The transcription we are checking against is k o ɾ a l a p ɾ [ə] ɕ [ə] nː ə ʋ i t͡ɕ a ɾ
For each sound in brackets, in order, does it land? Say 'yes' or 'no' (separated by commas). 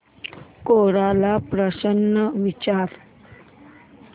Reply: yes, yes